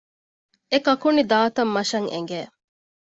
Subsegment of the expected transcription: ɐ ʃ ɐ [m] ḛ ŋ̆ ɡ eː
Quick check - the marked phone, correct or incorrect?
incorrect